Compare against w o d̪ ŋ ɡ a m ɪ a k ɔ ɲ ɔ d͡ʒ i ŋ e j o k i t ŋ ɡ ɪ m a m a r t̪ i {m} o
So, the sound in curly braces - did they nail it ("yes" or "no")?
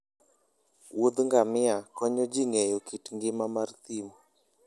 yes